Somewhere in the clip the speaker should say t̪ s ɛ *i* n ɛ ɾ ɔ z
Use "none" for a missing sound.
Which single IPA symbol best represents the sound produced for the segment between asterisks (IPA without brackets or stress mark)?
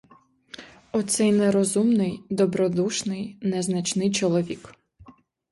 j